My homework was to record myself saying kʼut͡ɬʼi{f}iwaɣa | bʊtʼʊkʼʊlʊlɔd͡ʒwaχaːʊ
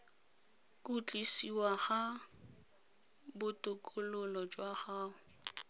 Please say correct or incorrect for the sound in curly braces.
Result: incorrect: s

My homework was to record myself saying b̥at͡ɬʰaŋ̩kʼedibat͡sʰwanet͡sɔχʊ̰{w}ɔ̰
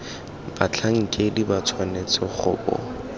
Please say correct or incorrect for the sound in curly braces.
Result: incorrect: b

